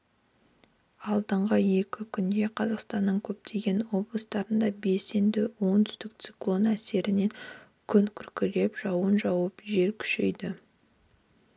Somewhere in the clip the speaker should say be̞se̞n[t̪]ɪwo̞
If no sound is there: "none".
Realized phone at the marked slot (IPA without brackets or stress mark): d̪